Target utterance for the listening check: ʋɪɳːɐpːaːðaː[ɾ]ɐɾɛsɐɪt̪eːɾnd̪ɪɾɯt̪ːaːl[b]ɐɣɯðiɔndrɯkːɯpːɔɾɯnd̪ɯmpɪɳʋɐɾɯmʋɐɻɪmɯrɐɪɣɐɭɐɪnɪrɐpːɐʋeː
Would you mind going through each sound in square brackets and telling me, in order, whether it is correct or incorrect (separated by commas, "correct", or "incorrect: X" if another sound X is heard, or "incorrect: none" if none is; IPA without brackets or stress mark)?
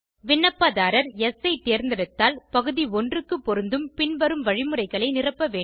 correct, incorrect: p